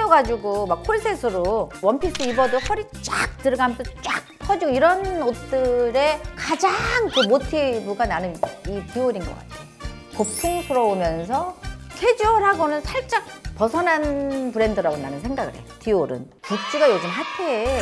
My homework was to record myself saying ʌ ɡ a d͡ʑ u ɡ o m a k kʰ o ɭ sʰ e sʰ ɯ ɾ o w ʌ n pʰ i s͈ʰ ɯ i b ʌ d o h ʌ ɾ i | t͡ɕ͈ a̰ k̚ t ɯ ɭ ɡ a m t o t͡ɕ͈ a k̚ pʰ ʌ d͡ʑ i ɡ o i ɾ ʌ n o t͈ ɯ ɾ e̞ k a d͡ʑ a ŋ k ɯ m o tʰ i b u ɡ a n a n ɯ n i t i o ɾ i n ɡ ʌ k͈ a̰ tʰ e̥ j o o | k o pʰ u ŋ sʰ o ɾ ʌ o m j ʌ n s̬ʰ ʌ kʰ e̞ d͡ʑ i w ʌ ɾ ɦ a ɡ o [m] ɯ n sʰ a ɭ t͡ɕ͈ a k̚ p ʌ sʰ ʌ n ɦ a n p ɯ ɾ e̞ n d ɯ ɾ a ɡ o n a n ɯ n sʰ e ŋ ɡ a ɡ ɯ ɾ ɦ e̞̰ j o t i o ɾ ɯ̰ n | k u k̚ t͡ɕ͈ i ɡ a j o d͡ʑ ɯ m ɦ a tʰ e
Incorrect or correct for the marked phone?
incorrect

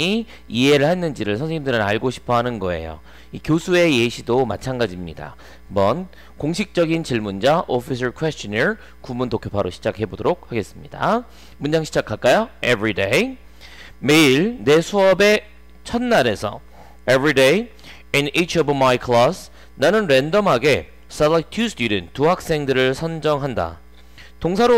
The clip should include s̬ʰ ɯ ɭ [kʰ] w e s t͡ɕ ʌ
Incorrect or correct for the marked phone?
correct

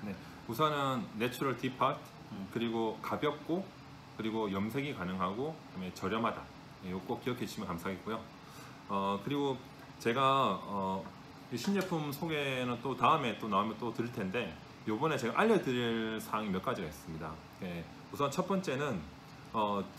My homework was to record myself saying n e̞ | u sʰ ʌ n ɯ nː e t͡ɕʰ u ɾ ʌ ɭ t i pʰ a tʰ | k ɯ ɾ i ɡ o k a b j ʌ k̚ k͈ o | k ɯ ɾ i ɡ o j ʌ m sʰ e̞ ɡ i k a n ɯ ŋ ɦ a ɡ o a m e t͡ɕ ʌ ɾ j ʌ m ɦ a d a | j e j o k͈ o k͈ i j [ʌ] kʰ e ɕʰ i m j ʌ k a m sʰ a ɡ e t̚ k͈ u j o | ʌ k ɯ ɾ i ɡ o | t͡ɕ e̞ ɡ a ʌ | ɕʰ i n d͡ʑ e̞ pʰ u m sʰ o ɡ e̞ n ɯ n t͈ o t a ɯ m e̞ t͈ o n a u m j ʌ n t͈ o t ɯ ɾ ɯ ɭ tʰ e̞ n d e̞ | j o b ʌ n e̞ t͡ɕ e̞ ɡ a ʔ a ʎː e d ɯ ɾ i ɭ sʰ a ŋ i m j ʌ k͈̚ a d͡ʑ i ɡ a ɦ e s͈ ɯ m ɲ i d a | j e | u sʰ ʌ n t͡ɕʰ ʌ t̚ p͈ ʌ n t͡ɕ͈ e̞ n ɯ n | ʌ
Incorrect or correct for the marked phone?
correct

